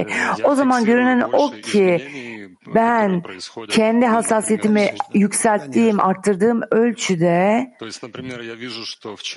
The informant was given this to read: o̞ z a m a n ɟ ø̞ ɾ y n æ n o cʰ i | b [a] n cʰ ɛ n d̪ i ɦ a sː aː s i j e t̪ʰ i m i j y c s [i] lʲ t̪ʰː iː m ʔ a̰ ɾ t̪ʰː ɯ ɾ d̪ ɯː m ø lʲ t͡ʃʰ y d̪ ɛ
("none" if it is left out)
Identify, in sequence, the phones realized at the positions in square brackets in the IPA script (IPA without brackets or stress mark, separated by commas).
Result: æ, æ